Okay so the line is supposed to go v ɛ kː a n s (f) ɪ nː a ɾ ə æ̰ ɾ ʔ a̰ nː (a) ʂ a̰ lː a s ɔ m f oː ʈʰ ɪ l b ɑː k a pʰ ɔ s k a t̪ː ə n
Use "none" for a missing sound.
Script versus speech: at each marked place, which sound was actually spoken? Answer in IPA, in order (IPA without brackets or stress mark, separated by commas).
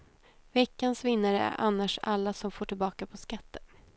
v, a